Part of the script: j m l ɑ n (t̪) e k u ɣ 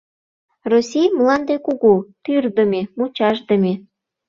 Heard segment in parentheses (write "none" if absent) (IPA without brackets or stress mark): d̪